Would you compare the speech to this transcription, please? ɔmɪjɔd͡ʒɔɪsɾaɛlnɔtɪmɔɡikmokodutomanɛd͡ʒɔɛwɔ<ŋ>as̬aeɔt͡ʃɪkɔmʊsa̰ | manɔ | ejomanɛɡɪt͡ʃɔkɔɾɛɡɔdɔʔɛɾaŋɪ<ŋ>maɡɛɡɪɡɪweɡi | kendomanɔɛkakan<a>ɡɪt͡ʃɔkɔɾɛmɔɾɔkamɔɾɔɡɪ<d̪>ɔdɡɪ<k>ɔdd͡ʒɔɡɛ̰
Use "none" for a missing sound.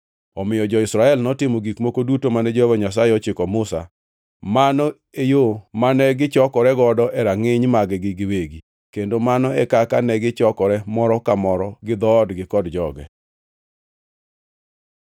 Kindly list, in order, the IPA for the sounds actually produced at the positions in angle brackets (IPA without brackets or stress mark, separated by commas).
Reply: ɲ, ɲ, ɛ, d̪, k